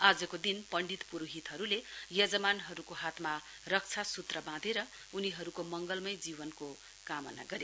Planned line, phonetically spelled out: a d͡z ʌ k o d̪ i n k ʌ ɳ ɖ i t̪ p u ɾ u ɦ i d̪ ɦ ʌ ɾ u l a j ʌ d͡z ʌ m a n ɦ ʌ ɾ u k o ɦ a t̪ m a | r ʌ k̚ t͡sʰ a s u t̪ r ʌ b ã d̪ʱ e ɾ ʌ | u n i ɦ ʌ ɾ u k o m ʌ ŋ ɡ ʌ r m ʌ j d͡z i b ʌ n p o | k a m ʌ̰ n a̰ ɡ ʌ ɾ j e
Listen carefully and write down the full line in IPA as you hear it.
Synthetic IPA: a d͡z ʌ k o d̪ i n p ʌ ɳ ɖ i t̪ p u ɾ u ɦ i t̪ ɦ ʌ ɾ u l e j ʌ d͡z ʌ m a n ɦ ʌ ɾ u k o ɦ a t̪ m a | r ʌ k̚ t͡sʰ a s u t̪ r ʌ b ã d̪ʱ e ɾ ʌ | u n i ɦ ʌ ɾ u k o m ʌ ŋ ɡ ʌ l m ʌ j d͡z i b ʌ n k o | k a m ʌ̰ n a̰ ɡ ʌ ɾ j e